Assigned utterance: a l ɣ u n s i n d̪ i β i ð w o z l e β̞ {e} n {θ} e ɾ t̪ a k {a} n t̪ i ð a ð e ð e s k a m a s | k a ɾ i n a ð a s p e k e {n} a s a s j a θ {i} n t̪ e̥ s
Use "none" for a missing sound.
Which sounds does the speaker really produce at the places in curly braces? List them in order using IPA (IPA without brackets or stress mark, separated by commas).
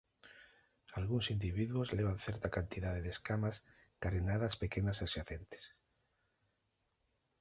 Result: a, θ, a, n, e